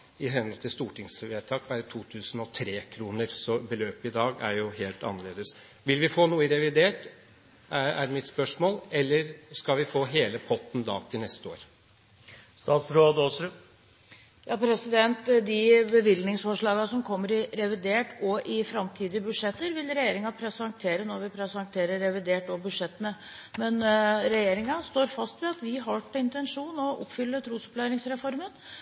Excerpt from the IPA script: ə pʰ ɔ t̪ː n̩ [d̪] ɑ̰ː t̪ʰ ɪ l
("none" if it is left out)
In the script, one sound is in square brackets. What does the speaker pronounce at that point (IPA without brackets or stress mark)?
d̪